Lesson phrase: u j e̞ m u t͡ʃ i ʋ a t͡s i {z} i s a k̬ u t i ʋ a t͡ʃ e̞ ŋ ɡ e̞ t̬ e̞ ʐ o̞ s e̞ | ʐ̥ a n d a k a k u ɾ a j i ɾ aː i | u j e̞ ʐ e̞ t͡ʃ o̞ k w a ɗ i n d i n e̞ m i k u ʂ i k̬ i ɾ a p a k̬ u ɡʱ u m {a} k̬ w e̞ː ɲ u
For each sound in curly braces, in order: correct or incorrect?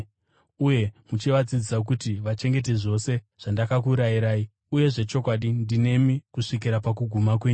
incorrect: d͡z, correct

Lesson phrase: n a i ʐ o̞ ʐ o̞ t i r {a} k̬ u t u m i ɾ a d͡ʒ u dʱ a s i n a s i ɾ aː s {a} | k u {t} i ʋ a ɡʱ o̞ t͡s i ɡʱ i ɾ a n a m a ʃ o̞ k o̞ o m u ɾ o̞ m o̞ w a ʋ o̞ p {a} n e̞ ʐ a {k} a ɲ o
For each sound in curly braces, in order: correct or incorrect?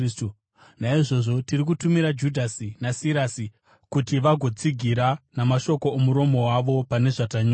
incorrect: i, incorrect: i, correct, correct, incorrect: t

